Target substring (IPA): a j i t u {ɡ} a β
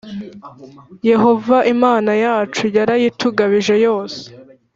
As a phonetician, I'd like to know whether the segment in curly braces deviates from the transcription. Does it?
no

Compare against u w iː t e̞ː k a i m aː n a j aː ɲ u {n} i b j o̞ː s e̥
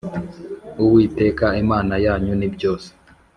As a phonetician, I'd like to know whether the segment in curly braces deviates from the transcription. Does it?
no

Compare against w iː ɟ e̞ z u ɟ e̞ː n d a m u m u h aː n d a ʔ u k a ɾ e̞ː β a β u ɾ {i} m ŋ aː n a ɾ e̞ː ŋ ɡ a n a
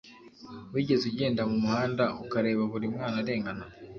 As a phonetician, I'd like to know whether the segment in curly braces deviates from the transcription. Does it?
no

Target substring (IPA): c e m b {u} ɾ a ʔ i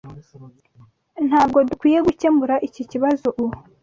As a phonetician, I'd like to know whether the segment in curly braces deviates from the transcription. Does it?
no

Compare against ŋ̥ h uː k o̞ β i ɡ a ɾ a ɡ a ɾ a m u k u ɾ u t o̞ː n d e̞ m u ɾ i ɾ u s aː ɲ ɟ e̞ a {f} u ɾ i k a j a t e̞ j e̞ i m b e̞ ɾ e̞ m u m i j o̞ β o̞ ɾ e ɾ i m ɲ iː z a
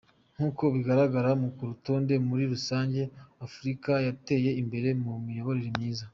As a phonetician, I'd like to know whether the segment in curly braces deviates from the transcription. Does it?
no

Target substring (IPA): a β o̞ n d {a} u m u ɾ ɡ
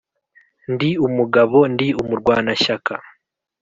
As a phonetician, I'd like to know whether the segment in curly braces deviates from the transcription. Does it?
yes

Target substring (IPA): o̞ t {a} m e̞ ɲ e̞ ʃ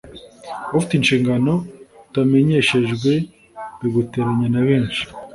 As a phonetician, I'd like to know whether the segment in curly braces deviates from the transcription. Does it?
no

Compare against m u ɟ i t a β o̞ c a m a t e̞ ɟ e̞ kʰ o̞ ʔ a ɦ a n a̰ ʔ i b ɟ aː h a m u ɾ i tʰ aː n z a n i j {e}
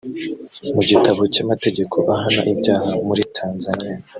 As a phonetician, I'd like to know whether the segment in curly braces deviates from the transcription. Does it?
yes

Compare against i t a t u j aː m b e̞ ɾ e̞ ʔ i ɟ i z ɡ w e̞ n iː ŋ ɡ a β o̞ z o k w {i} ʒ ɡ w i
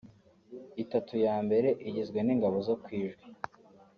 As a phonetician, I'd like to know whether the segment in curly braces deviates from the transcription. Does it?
yes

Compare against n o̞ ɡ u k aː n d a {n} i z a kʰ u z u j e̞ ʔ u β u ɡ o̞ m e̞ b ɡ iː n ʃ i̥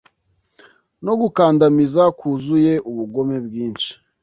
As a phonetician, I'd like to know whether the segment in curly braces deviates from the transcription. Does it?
yes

